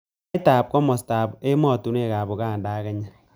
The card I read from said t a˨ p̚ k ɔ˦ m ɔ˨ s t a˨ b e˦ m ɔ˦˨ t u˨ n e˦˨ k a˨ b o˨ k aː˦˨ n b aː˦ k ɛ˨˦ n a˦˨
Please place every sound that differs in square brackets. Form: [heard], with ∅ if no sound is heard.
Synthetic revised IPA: t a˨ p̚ k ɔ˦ m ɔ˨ s t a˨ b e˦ m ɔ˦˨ t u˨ n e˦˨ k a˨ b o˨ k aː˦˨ n [d] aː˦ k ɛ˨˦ [ɲ] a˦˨